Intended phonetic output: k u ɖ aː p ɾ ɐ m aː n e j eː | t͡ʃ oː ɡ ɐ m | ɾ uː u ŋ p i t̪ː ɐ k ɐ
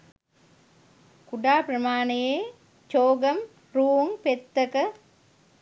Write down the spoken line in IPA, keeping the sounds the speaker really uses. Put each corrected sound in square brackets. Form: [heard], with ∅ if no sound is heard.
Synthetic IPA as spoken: k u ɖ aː p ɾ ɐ m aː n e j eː | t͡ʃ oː ɡ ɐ m | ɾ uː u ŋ p [e] t̪ː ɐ k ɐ